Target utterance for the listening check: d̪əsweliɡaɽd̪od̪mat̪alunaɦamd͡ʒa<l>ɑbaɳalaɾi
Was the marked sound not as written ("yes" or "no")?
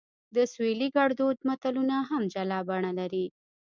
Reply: no